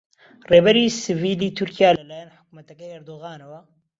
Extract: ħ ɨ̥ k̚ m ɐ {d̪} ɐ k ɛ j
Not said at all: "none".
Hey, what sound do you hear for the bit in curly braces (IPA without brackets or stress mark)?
t̪